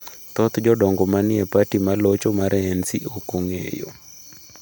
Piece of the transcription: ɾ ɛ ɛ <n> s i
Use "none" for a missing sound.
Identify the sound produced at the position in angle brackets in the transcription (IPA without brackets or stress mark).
n